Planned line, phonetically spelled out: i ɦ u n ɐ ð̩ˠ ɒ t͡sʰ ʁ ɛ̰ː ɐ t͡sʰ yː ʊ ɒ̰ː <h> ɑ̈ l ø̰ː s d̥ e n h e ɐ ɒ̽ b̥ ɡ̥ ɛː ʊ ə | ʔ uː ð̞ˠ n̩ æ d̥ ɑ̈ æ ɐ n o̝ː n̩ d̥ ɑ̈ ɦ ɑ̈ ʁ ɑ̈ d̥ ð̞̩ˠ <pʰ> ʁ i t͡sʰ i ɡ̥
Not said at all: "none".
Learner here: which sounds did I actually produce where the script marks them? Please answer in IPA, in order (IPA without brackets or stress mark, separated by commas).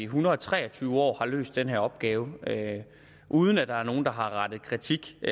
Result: h, kʰ